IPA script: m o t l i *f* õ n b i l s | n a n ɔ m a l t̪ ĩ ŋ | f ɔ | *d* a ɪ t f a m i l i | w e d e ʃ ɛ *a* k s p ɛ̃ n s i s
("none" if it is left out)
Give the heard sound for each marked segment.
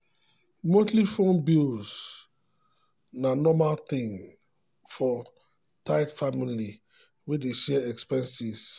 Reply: f, t, ɛ

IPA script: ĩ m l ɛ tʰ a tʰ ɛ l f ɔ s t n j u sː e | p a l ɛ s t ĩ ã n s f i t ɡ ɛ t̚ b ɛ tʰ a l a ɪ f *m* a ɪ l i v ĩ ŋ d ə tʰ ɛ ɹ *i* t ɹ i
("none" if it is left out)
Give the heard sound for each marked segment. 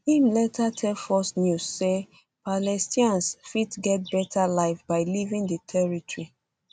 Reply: b, i

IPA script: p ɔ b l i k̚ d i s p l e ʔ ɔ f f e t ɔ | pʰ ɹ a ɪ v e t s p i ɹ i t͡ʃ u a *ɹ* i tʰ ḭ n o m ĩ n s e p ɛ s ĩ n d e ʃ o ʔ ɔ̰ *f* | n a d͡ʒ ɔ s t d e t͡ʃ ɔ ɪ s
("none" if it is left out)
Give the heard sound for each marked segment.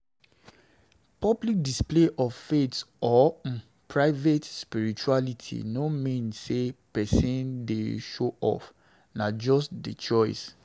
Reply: l, f

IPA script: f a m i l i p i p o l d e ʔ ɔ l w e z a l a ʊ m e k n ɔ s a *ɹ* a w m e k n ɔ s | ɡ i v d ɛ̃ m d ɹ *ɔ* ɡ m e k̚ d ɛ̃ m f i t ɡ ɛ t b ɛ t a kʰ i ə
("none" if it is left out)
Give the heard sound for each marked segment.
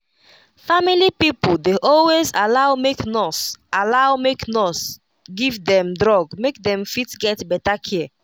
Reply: l, ɔ

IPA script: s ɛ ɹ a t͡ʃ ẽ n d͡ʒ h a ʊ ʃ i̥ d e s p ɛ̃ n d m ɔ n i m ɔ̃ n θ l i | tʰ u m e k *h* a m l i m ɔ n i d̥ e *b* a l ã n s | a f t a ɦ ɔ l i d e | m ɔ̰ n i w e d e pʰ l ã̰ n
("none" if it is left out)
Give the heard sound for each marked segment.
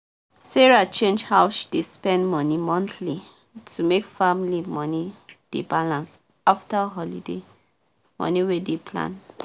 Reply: f, b

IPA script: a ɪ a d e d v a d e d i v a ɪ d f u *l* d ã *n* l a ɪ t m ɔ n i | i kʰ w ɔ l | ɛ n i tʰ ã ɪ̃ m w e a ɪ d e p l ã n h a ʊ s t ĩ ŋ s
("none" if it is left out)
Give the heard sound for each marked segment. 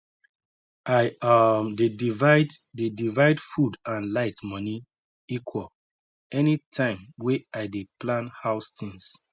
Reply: none, n

